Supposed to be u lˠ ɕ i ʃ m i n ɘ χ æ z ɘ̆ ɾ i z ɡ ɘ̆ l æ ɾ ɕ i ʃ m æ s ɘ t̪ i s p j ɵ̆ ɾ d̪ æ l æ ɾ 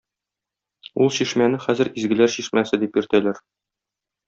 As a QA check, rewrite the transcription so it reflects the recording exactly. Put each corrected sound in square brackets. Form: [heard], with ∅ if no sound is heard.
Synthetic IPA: u lˠ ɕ i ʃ m [æ] n ɘ χ æ z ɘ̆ ɾ i z ɡ ɘ̆ l æ ɾ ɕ i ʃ m æ s ɘ [d̪] i [∅] p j ɵ̆ ɾ [t̪] æ l æ ɾ